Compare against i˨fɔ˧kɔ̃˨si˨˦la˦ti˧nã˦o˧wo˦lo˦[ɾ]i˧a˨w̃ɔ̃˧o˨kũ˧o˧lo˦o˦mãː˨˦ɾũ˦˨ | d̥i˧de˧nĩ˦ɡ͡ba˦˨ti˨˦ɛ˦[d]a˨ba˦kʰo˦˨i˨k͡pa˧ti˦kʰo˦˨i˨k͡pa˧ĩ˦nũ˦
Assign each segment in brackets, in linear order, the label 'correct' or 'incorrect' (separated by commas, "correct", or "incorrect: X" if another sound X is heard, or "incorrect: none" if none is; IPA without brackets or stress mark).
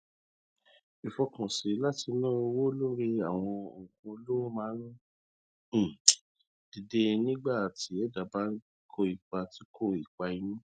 correct, correct